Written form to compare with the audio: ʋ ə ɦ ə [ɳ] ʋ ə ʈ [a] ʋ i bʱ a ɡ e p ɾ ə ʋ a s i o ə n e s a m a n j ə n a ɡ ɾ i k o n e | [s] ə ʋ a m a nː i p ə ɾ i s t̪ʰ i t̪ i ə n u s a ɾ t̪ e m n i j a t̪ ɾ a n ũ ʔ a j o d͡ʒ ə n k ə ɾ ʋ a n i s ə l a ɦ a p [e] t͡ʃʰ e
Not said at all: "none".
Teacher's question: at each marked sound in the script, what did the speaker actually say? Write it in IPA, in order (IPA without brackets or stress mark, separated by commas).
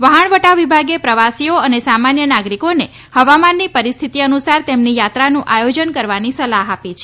ɳ, a, h, i